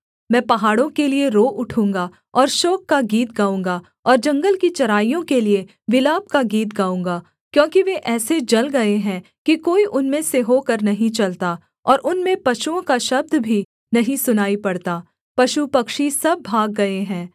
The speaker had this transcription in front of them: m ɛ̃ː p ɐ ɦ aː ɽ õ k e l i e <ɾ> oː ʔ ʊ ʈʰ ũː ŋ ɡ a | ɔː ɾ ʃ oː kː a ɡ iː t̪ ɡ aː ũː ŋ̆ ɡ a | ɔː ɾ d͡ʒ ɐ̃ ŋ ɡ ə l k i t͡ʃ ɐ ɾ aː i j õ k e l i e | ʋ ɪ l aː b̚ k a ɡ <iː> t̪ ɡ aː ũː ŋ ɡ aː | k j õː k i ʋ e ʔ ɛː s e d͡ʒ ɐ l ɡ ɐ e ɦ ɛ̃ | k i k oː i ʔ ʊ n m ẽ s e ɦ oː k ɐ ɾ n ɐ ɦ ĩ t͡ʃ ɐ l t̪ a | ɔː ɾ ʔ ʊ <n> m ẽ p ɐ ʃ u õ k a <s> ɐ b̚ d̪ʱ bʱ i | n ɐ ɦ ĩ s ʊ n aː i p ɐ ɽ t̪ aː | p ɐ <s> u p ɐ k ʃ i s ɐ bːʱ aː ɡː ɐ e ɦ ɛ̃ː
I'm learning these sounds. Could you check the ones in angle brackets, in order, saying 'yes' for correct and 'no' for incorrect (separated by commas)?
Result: yes, yes, yes, no, no